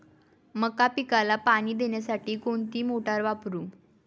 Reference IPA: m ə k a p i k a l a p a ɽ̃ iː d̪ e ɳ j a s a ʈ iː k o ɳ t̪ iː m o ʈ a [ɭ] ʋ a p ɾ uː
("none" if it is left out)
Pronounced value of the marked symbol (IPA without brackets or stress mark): ɾ